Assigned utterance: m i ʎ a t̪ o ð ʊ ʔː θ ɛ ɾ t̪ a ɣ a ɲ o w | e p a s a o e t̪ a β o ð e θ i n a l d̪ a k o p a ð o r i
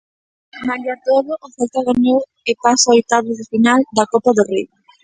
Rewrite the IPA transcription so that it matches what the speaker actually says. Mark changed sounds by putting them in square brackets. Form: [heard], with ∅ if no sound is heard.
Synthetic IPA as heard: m [a] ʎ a t̪ o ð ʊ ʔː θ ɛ [l] t̪ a ɣ a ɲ o w | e p a s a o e t̪ a β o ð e [f] i n a l d̪ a k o p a ð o r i